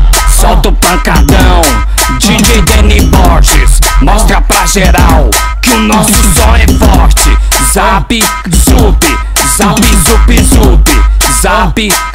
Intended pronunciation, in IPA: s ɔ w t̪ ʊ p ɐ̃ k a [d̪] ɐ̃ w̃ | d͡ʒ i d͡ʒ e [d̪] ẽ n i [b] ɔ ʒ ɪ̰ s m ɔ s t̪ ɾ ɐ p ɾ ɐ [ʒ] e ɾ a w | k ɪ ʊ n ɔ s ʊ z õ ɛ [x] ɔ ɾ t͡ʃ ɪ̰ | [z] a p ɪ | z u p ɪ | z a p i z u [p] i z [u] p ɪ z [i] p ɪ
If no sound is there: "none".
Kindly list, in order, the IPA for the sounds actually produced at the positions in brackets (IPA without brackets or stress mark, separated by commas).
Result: d̪, d̪, b, ʒ, f, z, p, u, a